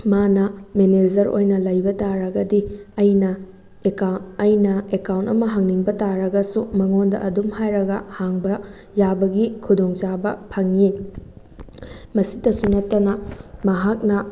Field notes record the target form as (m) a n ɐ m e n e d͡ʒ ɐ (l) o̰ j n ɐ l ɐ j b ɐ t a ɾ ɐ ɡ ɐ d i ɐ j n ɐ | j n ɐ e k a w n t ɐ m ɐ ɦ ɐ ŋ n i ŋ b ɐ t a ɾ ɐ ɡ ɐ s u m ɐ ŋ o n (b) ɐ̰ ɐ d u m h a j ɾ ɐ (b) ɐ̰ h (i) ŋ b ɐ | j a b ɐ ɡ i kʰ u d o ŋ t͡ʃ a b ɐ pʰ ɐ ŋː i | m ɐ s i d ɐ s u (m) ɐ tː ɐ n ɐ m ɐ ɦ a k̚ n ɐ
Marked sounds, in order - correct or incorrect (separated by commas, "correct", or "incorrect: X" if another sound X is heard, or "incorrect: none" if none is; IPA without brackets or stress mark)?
correct, incorrect: ɾ, incorrect: d, incorrect: ɡ, incorrect: a, incorrect: n